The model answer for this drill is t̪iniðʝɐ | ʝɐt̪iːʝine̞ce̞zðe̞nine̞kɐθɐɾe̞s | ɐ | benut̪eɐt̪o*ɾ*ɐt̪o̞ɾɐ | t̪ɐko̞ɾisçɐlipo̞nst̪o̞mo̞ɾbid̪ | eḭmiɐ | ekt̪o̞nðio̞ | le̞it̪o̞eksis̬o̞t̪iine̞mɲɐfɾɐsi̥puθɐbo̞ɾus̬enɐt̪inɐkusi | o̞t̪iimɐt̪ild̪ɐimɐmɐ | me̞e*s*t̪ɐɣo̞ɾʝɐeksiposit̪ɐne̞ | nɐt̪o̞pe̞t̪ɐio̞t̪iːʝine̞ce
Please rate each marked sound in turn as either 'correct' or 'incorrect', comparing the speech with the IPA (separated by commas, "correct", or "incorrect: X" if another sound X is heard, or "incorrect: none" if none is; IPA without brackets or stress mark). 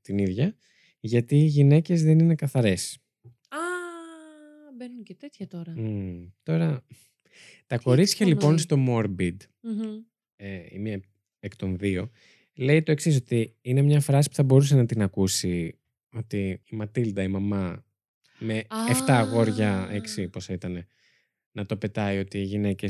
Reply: correct, incorrect: f